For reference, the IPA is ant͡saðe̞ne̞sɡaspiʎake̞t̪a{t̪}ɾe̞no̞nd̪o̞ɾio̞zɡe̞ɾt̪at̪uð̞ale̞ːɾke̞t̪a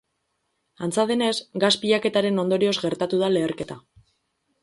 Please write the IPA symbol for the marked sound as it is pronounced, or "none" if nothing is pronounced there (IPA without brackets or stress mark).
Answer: none